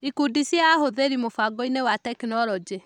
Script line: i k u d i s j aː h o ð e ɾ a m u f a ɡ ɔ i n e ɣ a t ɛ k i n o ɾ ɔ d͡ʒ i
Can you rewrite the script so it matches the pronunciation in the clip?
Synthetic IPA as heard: i k u d i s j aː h o ð e ɾ i m o f a ɡ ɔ i n e w a t ɛ k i n ɔ ɾ ɔ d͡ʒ e